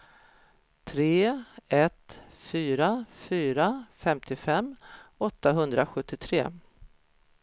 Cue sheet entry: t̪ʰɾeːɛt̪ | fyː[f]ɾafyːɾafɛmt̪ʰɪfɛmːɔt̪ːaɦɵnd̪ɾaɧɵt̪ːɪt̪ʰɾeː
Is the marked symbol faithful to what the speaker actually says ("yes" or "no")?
no